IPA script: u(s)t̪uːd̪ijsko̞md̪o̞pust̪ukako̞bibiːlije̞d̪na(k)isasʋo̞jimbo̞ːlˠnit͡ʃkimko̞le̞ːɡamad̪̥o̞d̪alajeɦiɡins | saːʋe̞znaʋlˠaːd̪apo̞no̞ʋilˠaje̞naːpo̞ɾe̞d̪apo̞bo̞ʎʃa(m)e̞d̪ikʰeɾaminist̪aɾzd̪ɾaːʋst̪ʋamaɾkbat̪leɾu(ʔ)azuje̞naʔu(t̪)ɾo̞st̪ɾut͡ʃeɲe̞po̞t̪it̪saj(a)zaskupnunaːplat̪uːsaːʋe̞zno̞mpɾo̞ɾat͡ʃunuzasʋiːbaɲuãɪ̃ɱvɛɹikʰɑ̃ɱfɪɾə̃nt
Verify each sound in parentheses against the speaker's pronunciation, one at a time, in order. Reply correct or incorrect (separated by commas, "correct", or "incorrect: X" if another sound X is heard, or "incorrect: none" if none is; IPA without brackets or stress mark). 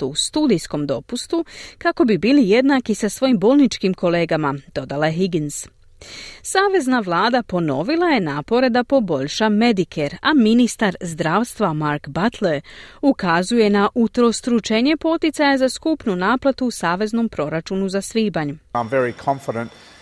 correct, correct, correct, incorrect: k, correct, correct